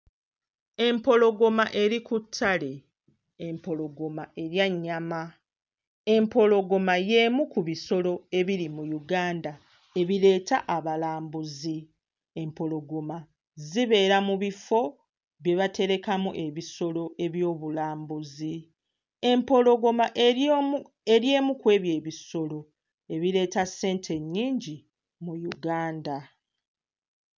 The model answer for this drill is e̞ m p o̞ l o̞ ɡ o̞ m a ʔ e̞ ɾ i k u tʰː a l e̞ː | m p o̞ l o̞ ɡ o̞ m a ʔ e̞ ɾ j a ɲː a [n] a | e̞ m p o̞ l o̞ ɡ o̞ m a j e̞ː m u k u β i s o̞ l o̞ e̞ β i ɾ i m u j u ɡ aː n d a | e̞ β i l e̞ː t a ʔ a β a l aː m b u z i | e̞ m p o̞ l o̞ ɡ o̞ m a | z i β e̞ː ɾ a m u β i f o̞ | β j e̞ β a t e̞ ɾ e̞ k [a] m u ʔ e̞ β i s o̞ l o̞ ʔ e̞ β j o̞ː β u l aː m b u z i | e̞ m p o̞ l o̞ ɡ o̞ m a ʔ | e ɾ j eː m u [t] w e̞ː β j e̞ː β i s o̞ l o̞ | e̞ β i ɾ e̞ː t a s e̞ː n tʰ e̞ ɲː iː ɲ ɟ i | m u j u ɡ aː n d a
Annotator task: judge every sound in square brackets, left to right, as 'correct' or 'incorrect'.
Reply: incorrect: m, correct, incorrect: k

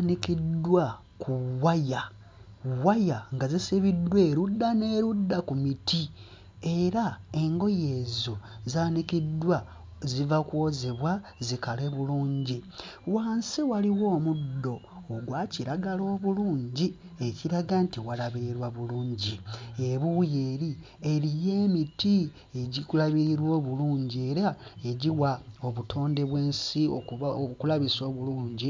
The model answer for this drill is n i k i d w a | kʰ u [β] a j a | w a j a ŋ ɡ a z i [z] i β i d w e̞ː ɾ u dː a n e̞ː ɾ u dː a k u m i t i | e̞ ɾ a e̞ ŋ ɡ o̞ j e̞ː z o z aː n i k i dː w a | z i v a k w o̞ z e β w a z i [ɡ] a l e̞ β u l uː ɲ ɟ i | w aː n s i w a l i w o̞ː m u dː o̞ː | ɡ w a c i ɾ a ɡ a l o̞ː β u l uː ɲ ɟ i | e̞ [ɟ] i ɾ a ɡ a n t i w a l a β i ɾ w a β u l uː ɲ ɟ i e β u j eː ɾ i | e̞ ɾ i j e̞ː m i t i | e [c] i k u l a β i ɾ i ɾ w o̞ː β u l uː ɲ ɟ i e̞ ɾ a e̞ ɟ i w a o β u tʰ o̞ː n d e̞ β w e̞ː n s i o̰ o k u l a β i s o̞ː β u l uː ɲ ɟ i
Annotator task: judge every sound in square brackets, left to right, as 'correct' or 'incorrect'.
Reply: incorrect: w, incorrect: s, incorrect: k, incorrect: c, incorrect: ɟ

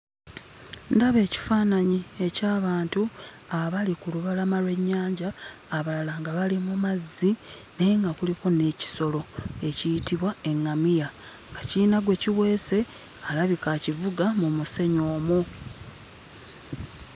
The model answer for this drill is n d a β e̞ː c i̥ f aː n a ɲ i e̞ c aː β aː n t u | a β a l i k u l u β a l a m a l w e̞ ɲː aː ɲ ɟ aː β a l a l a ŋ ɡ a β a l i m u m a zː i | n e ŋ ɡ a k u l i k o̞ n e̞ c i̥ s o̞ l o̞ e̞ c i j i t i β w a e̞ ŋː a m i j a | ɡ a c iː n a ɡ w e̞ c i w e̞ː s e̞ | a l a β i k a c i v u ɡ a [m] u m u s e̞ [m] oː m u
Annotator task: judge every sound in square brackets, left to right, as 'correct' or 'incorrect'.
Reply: correct, incorrect: ɲ

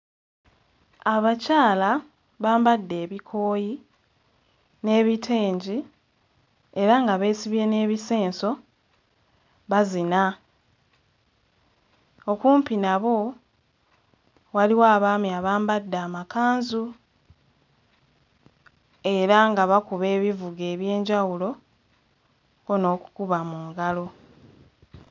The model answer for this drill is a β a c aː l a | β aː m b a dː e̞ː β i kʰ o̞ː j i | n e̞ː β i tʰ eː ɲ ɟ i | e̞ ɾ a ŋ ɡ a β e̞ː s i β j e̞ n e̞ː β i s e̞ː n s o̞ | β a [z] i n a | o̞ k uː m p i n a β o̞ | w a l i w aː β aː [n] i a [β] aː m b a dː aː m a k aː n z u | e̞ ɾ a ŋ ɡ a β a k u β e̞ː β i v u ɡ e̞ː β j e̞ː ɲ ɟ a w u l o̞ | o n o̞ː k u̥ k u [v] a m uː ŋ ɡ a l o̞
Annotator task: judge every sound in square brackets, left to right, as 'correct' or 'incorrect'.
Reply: correct, incorrect: m, correct, incorrect: β

